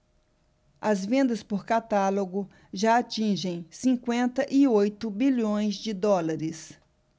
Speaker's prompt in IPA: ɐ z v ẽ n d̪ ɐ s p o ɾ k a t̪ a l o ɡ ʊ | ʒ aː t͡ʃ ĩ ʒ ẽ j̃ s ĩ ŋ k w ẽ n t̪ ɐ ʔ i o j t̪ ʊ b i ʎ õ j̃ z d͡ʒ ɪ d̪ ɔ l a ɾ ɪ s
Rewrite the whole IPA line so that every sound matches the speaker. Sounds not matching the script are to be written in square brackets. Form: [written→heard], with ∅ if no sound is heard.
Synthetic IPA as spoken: ɐ z v ẽ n d̪ ɐ s p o ɾ k a t̪ a l o ɡ ʊ | ʒ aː t͡ʃ ĩ ʒ ẽ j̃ s ĩ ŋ k w ẽ n t̪ ɐ ʔ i o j t̪ ʊ b i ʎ õ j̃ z d͡ʒ ɪ d̪ ɔ l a ɾ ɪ s

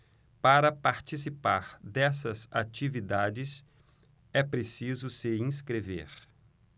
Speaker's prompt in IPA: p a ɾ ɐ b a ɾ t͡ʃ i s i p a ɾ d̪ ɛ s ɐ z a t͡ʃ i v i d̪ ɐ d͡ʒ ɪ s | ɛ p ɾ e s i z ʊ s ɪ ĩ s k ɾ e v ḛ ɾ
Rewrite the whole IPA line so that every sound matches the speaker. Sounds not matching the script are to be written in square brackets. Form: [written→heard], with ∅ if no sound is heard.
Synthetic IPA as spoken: p a ɾ ɐ [b→p] a ɾ t͡ʃ i s i p a ɾ d̪ ɛ s ɐ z a t͡ʃ i v i d̪ [ɐ→a] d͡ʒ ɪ s | ɛ p ɾ e s i z ʊ s ɪ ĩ s k ɾ e v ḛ ɾ

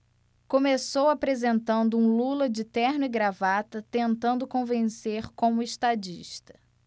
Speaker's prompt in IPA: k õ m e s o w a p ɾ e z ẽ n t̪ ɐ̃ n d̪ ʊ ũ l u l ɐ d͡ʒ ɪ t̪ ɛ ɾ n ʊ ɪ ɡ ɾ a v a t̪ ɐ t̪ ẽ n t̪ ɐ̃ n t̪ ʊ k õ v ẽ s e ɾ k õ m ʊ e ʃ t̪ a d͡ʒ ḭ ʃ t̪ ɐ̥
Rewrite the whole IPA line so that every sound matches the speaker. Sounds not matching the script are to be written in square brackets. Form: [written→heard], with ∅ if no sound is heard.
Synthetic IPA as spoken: k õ m e s o w a p ɾ e z ẽ n t̪ ɐ̃ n d̪ ʊ ũ l u l ɐ d͡ʒ ɪ t̪ ɛ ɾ n ʊ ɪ ɡ ɾ a v a t̪ ɐ t̪ ẽ n t̪ ɐ̃ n [t̪→d̪] ʊ k õ v ẽ s e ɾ k õ m ʊ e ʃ t̪ a d͡ʒ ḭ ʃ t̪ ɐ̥

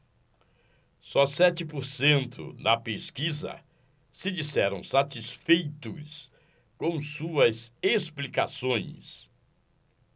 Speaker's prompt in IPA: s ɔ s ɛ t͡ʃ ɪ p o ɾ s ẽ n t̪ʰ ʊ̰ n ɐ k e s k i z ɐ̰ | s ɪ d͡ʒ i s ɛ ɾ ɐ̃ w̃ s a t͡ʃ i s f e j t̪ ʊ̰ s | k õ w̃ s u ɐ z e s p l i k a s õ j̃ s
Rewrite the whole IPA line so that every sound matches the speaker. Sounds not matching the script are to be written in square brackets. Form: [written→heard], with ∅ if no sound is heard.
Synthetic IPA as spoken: s ɔ s ɛ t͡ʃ ɪ p o ɾ s ẽ n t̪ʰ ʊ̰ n ɐ [k→p] e s k i z ɐ̰ | s ɪ d͡ʒ i s ɛ ɾ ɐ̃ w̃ s a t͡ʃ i s f e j t̪ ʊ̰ s | k õ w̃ s u ɐ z e s p l i k a s õ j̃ s

